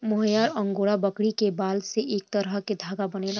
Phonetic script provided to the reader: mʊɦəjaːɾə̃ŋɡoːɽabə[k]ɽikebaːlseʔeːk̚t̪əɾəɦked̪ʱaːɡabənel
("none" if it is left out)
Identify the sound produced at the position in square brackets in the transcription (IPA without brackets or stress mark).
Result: k